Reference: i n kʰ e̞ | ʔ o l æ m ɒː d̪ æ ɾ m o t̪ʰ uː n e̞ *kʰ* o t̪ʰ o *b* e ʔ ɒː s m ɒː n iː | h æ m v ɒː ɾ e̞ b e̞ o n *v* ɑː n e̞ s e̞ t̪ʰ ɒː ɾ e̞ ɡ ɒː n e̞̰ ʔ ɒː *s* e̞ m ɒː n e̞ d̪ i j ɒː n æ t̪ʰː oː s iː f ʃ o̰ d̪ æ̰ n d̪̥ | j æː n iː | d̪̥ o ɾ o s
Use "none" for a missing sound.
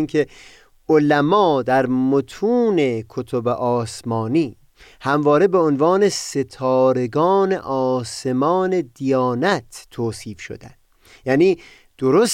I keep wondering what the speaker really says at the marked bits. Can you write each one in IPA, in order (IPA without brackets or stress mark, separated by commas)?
kʰ, b, v, s